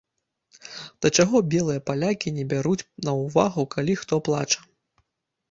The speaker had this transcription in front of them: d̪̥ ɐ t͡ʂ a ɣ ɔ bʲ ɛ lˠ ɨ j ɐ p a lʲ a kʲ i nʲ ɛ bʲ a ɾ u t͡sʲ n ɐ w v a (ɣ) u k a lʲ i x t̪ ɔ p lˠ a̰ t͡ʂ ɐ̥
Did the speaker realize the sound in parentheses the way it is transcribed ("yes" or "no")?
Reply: yes